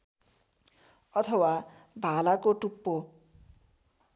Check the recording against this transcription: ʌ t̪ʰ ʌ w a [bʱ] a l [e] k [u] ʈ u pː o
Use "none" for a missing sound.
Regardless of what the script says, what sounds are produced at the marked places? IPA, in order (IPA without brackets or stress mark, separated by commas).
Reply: bʱ, a, o